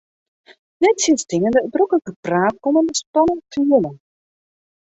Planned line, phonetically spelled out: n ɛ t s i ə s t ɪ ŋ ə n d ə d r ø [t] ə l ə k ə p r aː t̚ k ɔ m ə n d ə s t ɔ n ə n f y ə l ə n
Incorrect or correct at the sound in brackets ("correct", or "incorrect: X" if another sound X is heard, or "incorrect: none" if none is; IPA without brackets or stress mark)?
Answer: incorrect: k